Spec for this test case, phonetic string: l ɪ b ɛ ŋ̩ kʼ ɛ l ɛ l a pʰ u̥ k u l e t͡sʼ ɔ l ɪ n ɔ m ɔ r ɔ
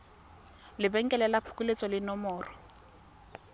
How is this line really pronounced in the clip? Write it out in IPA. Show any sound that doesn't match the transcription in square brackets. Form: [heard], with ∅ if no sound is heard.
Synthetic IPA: l ɪ b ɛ ŋ̩ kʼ ɛ l ɛ l a pʰ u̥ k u l e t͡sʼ ɔ l ɪ n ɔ m [ɔː] r ɔ

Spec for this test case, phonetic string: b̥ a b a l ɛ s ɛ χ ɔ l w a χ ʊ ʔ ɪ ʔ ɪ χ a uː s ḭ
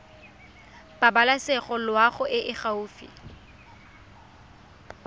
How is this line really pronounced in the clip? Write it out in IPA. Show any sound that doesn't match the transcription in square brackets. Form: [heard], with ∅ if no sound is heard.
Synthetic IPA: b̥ a b a l [a] s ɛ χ ɔ l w a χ ʊ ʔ ɪ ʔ ɪ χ a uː [f] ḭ

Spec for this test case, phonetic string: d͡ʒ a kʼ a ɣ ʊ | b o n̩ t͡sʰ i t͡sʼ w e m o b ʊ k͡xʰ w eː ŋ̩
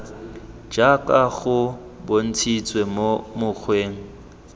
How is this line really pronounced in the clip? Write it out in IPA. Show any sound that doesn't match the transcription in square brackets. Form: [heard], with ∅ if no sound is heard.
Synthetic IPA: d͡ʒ a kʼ a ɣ ʊ | b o n̩ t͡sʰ i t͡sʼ w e m o [m] ʊ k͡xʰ w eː ŋ̩

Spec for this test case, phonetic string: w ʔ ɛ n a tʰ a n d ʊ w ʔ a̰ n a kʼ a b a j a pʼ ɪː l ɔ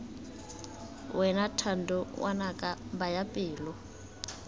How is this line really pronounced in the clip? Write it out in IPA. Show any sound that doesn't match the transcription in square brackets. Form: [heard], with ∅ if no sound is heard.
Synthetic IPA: w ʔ ɛ n a tʰ a n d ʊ w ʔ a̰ n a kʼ a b a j a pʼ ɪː l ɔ

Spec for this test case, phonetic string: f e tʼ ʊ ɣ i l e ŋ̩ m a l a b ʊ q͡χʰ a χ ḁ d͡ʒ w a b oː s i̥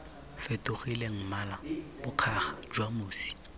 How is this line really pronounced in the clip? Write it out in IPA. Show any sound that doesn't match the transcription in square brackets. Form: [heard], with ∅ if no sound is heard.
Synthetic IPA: f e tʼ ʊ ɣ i l e ŋ̩ m a l a b ʊ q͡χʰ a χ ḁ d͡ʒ w a [m] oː s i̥

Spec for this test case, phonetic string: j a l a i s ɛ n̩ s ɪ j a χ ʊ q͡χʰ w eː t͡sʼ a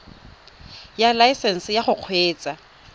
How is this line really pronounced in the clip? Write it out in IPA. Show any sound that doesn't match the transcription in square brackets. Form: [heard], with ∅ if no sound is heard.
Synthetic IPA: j a l a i s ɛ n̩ s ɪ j a χ ʊ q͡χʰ w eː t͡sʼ a

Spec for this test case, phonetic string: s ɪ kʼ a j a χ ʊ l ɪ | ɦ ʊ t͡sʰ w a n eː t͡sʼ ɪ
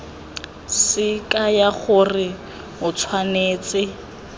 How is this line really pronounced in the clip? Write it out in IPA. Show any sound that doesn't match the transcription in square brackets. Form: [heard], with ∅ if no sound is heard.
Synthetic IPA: s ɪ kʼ a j a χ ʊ [r] ɪ | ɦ ʊ t͡sʰ w a n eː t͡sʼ ɪ

